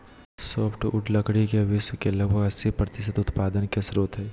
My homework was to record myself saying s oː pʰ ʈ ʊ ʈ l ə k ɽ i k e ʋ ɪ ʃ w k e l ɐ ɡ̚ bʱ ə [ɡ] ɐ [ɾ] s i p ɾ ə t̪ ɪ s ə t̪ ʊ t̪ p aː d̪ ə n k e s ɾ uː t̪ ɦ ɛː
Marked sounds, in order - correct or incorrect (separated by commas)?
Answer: correct, incorrect